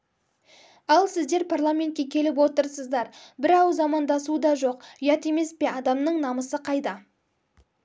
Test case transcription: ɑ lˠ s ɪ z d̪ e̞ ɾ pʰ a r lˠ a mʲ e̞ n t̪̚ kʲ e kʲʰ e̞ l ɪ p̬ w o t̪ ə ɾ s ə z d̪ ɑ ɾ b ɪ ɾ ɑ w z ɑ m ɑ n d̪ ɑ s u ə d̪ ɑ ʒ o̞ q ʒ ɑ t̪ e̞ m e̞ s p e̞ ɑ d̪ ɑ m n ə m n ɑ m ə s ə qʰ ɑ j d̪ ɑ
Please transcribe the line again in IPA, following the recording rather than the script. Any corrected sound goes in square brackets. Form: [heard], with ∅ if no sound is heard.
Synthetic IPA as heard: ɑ lˠ s ɪ z d̪ e̞ ɾ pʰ a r lˠ a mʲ e̞ n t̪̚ kʲ e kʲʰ e̞ l ɪ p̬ w o t̪ ə ɾ s ə z d̪ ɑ ɾ b ɪ ɾ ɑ w z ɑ m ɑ n d̪ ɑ s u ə d̪ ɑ ʒ o̞ q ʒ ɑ t̪ e̞ m e̞ s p e̞ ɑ d̪ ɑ m n ə [ɴ] n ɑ m ə s ə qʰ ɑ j d̪ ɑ

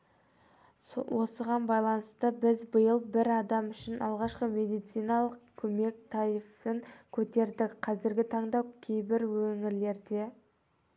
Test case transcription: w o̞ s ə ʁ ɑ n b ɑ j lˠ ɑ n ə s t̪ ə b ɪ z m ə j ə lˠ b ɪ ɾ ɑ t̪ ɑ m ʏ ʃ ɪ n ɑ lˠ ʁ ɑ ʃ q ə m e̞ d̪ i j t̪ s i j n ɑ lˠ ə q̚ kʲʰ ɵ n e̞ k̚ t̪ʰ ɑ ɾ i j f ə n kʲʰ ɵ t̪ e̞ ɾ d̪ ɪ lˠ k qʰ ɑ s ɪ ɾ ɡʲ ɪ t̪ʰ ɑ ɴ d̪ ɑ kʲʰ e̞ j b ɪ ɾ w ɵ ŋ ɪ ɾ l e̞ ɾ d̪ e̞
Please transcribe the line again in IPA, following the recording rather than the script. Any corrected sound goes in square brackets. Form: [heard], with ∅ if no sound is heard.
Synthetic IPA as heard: w o̞ s ə ʁ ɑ n b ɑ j lˠ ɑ n ə s t̪ ə b ɪ z [b] ə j ə lˠ b ɪ ɾ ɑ [d̪] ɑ m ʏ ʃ ɪ n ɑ lˠ ʁ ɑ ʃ q ə m e̞ d̪ i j t̪ s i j n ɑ lˠ ə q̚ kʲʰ ɵ [m] e̞ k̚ t̪ʰ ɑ ɾ i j f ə [ŋ] kʲʰ ɵ t̪ e̞ ɾ d̪ ɪ [∅] k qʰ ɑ [z] ɪ ɾ ɡʲ ɪ t̪ʰ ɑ ɴ d̪ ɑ kʲʰ e̞ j b ɪ ɾ w ɵ ŋ ɪ ɾ l e̞ ɾ d̪ e̞

